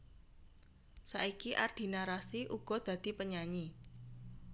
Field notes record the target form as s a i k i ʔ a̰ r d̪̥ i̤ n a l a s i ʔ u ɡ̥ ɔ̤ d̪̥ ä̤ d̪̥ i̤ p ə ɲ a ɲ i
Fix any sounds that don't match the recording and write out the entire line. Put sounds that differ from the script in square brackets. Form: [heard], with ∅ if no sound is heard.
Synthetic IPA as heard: s a i k i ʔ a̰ r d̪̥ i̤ n a [ɾ] a s i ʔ u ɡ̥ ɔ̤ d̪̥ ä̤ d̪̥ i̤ p ə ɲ a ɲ i